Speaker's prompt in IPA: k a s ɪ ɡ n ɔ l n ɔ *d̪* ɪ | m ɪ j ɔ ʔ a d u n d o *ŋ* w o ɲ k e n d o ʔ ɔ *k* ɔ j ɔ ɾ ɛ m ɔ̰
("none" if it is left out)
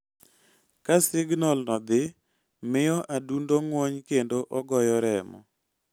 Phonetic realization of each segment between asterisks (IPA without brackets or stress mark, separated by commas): d̪, ŋ, ɡ